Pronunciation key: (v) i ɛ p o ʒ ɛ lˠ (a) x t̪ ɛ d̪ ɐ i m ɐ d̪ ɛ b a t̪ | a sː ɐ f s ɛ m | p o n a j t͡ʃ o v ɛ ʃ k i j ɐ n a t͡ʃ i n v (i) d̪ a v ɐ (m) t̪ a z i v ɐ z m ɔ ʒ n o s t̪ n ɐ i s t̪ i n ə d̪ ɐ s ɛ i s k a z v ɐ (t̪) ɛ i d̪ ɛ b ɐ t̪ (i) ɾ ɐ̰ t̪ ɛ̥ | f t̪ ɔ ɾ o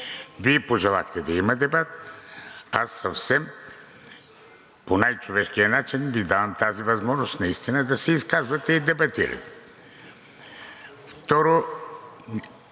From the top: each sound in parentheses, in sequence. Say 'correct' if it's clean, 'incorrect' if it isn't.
correct, correct, correct, correct, correct, correct

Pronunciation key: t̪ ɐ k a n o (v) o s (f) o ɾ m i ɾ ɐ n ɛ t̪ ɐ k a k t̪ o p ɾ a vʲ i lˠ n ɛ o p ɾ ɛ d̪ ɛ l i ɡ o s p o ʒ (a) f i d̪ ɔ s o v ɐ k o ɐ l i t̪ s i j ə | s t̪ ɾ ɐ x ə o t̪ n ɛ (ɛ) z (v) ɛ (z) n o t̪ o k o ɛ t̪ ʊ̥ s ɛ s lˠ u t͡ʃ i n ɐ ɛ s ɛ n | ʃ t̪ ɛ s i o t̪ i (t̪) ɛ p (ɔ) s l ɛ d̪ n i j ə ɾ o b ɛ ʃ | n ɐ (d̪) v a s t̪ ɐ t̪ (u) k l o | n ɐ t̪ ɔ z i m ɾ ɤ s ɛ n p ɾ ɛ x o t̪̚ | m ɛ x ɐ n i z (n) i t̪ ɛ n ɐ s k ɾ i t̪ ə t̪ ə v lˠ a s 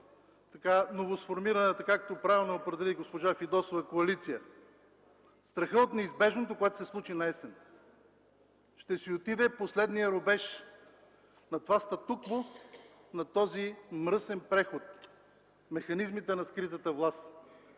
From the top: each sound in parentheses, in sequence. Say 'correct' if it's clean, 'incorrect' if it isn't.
correct, correct, correct, incorrect: i, incorrect: b, incorrect: ʒ, incorrect: d̪, incorrect: o, incorrect: t̪, correct, incorrect: m

